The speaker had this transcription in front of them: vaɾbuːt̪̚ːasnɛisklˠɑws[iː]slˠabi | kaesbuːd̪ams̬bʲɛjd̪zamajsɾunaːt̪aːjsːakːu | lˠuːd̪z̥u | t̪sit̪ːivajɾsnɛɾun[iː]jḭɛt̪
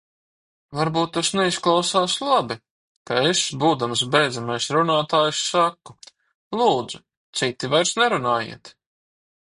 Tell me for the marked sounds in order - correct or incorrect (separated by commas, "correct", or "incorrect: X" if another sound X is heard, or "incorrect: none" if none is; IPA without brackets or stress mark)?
incorrect: aː, incorrect: aː